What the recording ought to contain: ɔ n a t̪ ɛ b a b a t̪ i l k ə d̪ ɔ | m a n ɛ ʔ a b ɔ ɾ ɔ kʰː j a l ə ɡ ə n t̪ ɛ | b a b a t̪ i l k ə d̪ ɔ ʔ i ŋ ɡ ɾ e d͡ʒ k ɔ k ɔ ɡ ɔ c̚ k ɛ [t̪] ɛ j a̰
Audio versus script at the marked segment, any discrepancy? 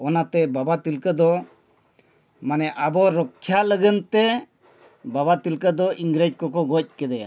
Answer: yes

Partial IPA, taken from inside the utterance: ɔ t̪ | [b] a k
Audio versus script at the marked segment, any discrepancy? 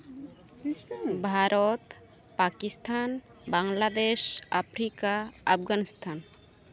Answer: yes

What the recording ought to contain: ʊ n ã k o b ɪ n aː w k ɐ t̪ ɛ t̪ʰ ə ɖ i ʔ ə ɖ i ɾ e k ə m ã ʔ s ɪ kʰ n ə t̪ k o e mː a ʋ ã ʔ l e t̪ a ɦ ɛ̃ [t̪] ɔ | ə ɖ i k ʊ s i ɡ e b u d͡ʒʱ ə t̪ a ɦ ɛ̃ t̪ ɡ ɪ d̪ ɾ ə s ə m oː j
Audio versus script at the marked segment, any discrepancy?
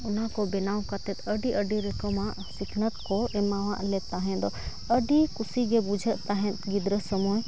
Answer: yes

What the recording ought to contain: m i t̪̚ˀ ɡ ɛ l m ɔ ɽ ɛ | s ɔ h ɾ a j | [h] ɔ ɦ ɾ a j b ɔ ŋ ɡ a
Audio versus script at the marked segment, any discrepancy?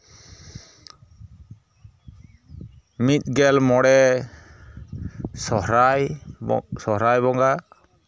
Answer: yes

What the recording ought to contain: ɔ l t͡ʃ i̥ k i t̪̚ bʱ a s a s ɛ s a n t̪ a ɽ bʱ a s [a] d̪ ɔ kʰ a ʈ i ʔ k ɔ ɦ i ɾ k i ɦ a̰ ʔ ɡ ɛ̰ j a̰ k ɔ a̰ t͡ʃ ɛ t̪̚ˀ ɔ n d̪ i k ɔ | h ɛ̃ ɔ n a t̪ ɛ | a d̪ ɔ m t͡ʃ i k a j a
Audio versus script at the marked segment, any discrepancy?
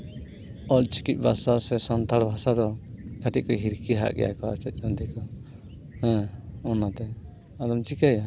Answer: no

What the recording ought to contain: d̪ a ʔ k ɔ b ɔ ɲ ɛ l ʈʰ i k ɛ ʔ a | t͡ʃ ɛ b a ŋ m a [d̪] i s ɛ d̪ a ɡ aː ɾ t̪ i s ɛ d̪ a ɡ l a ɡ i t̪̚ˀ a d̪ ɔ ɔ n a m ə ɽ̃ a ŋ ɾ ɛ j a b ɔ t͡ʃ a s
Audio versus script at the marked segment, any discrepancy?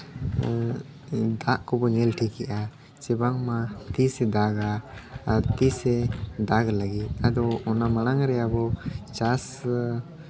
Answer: yes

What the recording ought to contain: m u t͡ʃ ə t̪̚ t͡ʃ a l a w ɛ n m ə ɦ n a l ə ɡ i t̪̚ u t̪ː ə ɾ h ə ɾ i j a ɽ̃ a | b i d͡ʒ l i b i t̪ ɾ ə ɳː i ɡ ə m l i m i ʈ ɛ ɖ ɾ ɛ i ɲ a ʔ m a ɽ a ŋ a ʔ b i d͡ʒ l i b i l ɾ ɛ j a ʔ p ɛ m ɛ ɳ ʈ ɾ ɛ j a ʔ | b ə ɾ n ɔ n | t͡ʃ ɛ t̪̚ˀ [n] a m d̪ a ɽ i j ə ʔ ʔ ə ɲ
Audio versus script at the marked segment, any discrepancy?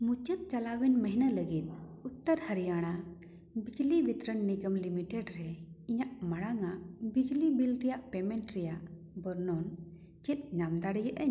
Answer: yes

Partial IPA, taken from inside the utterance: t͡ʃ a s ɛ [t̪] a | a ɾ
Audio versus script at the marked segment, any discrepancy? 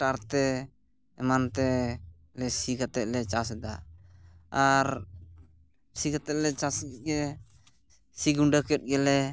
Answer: yes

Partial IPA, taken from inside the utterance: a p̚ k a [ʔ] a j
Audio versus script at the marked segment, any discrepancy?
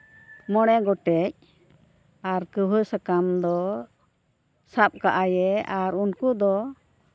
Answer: no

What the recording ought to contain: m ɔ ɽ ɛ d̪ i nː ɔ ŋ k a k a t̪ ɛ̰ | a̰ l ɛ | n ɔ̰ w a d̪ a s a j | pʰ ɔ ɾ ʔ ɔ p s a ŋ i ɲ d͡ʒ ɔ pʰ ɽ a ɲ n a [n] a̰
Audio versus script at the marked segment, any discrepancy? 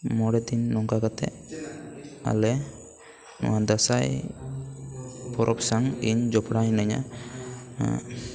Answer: yes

